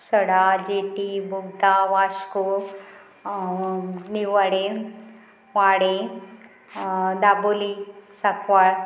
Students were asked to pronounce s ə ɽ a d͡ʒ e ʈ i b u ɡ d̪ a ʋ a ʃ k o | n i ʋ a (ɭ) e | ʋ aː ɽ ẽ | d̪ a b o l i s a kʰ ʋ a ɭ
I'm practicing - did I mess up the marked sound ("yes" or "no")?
yes